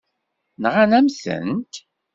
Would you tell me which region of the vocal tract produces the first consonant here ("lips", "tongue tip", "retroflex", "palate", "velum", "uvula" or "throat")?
tongue tip